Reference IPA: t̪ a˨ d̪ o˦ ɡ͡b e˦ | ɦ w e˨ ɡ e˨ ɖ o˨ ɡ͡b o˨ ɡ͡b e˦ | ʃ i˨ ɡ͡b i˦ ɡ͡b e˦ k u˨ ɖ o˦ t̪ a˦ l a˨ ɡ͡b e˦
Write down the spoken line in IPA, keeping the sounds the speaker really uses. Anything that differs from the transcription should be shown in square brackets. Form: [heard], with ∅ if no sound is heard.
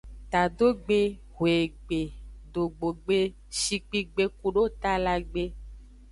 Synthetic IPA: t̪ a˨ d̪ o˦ ɡ͡b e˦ | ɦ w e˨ [ɡ͡b] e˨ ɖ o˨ ɡ͡b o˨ ɡ͡b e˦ | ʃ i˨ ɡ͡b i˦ ɡ͡b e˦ k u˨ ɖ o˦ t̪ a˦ l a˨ ɡ͡b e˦